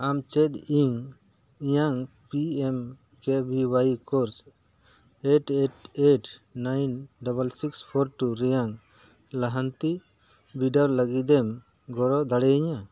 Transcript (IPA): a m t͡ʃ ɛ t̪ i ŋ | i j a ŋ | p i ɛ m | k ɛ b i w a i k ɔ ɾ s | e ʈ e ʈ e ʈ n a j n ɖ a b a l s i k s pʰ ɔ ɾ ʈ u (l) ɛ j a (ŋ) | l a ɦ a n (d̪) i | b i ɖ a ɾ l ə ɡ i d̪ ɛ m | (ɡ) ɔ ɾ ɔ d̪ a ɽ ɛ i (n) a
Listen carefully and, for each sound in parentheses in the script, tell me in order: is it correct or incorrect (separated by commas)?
incorrect, correct, incorrect, correct, incorrect